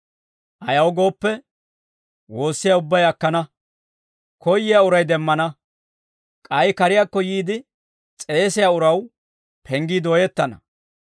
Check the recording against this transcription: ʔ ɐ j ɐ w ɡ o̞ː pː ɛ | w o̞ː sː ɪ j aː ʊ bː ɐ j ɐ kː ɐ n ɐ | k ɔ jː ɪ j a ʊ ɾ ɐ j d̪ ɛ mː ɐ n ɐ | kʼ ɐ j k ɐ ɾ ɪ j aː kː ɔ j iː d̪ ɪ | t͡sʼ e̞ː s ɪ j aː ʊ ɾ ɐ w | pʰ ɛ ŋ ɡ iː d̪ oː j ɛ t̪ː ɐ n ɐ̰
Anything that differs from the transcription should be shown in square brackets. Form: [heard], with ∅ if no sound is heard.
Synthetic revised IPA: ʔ ɐ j ɐ w ɡ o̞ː pː ɛ | w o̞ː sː ɪ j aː ʊ bː ɐ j ɐ kː ɐ n ɐ | k ɔ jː ɪ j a ʊ ɾ ɐ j d̪ ɛ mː ɐ n ɐ | kʼ ɐ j k ɐ ɾ ɪ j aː kː ɔ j iː d̪ ɪ | t͡sʼ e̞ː s ɪ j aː ʊ ɾ ɐ w | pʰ ɛ ŋ ɡ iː d̪ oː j ɛ t̪ː ɐ n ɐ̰